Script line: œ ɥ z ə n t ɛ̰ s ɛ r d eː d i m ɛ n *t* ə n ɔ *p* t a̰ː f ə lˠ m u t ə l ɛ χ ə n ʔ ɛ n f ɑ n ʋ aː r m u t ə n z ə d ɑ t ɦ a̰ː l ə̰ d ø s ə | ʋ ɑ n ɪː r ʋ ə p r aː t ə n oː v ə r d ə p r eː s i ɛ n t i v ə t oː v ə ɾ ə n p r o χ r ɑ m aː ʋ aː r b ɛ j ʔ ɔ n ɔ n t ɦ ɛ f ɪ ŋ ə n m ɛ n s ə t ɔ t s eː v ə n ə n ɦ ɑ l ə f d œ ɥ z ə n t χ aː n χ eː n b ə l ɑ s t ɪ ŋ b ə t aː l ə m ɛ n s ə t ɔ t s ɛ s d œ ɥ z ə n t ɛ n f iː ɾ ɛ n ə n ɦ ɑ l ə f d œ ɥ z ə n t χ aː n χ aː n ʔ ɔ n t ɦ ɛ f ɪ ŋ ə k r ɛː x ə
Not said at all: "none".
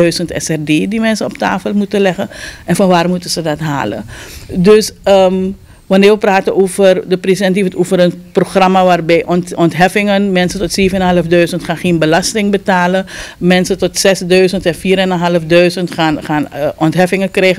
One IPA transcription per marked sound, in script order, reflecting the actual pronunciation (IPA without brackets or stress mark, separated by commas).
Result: s, p